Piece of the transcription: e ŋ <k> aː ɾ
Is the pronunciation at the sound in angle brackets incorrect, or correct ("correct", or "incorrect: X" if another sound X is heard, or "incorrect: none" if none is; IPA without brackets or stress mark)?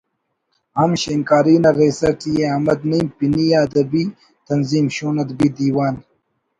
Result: correct